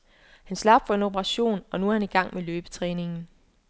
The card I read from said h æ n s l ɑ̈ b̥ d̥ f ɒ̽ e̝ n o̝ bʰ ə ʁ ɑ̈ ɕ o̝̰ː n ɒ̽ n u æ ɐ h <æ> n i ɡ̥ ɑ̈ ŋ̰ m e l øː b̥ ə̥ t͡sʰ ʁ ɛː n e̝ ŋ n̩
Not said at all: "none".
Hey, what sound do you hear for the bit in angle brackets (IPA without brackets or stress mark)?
æ